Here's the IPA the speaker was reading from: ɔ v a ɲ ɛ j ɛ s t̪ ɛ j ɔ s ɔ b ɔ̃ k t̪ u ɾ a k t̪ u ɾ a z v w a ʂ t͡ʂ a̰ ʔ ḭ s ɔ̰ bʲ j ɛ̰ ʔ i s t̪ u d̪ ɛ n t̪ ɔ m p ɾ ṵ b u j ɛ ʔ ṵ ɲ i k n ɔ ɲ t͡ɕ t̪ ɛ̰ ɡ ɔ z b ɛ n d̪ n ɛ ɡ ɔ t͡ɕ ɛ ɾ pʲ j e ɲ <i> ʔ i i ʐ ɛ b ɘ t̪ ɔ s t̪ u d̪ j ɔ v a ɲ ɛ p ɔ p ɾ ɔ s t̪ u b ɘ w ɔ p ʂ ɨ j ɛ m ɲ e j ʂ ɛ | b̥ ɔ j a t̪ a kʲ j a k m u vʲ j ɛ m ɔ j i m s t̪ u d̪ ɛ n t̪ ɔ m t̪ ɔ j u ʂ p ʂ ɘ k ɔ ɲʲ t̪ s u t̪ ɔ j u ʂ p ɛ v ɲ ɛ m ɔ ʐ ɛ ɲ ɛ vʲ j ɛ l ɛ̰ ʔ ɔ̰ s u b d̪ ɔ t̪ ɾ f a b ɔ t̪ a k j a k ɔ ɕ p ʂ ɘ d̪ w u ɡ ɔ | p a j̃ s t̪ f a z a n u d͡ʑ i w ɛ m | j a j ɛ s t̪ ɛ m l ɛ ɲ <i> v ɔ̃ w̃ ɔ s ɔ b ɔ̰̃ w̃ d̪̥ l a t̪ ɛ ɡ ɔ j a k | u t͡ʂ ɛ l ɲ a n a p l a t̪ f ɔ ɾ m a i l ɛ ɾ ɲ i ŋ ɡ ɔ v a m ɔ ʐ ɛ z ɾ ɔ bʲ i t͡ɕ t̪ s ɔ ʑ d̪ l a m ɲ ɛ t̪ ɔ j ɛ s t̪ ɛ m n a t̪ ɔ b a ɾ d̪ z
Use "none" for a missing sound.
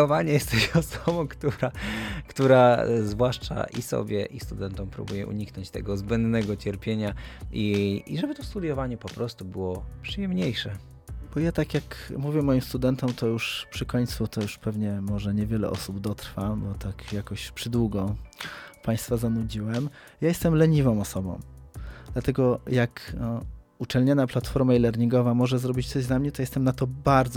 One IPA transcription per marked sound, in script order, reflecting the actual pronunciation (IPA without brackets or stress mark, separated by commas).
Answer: a, i